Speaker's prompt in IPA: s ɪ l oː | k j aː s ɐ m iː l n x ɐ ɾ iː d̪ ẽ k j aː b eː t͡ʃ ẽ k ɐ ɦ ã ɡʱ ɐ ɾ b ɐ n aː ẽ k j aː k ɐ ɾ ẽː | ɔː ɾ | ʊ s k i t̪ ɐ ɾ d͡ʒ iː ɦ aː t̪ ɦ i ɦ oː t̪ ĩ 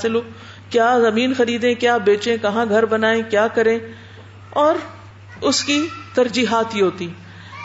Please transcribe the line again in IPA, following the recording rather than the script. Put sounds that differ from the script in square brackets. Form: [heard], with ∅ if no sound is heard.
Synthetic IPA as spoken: s ɪ l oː | k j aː [z] ɐ m iː [∅] n x ɐ ɾ iː d̪ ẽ k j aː b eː t͡ʃ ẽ k ɐ ɦ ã ɡʱ ɐ ɾ b ɐ n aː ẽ k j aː k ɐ ɾ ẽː | ɔː ɾ | ʊ s k i t̪ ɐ ɾ d͡ʒ iː ɦ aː t̪ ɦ i ɦ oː t̪ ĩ